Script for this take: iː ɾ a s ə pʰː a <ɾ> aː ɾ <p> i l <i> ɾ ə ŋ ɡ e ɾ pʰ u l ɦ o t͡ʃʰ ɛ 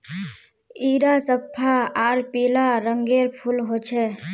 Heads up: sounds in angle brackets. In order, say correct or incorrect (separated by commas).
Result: incorrect, correct, incorrect